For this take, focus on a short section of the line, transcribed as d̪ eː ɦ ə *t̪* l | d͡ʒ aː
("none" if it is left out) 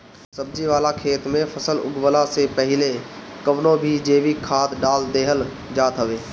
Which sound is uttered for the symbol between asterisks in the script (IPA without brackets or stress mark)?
none